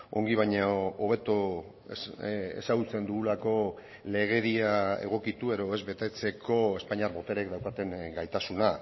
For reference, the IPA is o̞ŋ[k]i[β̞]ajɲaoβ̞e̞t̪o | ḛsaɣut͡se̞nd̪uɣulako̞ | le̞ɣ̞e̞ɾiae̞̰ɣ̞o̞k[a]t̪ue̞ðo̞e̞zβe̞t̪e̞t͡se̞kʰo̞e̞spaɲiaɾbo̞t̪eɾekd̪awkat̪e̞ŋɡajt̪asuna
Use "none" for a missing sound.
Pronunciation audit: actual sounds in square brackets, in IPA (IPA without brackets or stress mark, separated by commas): ɡ, β̞, i